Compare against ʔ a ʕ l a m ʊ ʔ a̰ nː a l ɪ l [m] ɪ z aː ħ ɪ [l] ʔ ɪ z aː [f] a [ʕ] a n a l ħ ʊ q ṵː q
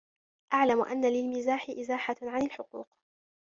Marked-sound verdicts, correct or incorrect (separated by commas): correct, incorrect, incorrect, correct